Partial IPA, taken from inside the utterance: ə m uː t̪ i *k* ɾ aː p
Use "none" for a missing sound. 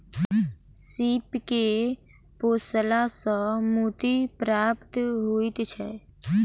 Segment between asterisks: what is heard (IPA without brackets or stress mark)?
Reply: p